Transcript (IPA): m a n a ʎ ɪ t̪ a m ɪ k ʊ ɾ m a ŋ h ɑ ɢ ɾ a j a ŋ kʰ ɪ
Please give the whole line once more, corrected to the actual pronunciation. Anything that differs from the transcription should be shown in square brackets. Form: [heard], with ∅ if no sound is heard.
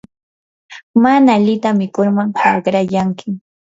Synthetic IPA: m a n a ʎ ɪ t̪ a m ɪ k ʊ ɾ m a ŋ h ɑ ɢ ɾ a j a ŋ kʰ ɪ